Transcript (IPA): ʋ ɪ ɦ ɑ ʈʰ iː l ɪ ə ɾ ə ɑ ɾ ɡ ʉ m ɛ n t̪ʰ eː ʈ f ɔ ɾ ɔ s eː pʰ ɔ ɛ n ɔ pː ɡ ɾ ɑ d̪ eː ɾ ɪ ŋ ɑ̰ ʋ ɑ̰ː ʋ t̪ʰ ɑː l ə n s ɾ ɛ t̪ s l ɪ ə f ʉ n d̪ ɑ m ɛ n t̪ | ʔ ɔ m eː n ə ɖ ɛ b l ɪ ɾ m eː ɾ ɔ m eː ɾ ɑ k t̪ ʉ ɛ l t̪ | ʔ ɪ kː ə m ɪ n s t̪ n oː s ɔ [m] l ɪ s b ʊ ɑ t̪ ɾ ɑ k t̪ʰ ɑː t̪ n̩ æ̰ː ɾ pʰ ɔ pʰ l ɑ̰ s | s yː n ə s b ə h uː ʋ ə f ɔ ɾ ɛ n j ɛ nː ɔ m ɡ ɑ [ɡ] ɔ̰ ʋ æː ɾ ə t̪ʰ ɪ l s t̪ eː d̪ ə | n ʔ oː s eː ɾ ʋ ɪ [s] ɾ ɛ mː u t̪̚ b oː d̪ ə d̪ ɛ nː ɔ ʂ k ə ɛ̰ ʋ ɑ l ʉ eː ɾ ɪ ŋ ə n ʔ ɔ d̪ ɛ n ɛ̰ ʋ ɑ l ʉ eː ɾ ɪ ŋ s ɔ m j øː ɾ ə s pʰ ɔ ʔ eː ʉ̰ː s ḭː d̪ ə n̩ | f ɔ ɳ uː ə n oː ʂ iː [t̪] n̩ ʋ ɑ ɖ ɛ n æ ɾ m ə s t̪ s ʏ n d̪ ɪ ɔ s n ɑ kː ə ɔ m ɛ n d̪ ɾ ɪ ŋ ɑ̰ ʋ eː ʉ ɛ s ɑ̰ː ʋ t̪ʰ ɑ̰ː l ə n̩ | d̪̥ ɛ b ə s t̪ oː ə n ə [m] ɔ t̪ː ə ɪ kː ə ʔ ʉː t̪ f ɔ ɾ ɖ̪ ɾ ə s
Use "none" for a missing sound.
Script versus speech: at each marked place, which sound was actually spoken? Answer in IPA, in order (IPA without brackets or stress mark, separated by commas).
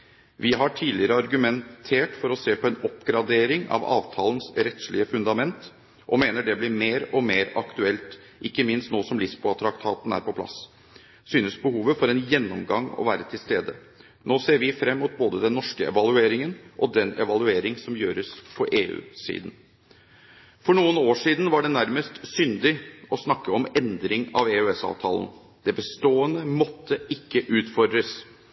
m, ŋ, f, d̪, m